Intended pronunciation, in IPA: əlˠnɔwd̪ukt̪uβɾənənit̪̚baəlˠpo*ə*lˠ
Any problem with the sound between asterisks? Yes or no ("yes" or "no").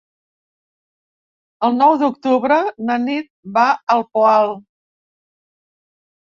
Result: yes